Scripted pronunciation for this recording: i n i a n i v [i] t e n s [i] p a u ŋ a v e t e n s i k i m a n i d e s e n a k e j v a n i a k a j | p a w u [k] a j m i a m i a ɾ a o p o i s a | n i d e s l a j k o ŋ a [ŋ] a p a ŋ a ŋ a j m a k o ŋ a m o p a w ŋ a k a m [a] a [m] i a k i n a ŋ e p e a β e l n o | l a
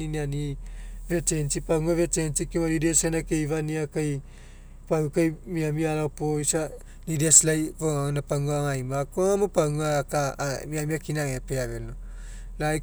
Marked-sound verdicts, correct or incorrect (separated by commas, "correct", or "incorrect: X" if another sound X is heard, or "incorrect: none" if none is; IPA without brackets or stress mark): incorrect: e, correct, correct, incorrect: n, incorrect: i, correct